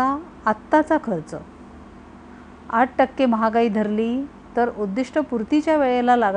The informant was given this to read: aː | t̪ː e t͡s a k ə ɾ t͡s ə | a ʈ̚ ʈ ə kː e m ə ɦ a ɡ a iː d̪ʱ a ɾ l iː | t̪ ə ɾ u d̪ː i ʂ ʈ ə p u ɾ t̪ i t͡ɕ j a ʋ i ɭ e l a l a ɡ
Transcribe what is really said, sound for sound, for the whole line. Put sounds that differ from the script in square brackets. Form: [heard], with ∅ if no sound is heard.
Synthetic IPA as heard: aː | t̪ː [a] t͡s a [kʰ] ə ɾ t͡s ə | a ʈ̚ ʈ ə kː e m ə ɦ a ɡ a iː d̪ʱ [ə] ɾ l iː | t̪ ə ɾ u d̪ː i ʂ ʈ ə p u ɾ t̪ i t͡ɕ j a ʋ [e] ɭ e l a l a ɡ